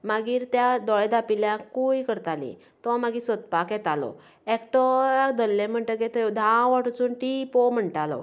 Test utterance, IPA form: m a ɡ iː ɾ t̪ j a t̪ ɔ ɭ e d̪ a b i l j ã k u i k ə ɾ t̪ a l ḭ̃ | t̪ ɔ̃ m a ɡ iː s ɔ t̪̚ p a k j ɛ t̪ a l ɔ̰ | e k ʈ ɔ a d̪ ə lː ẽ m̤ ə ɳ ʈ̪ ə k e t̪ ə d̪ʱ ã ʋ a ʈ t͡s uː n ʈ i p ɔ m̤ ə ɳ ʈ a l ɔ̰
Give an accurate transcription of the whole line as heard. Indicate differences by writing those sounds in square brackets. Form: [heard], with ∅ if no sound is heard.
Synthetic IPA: m a ɡ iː ɾ t̪ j a [d̪] ɔ ɭ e d̪ a [p] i l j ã k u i k ə ɾ t̪ a l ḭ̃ | t̪ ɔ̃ m a ɡ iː s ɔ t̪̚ p a k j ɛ t̪ a l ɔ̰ | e k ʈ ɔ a d̪ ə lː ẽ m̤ ə ɳ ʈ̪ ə k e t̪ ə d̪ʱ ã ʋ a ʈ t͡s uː n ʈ i p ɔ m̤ ə ɳ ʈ a l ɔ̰